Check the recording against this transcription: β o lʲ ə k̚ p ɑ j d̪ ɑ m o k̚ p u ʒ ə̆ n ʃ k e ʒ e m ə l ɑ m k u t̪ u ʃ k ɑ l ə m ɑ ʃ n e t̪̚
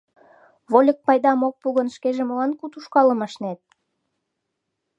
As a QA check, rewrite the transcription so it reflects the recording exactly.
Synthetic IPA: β o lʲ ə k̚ p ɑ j d̪ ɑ m o k̚ p u ɣ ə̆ n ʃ k e ʒ e m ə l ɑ n k u t̪ u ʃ k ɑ l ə m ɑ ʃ n e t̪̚